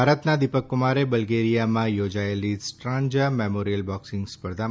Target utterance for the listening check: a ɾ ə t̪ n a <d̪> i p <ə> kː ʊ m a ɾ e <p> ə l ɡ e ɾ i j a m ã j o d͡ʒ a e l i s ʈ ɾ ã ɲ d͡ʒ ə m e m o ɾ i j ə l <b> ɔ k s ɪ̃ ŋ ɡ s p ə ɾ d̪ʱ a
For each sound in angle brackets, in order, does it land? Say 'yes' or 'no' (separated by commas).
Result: yes, yes, no, yes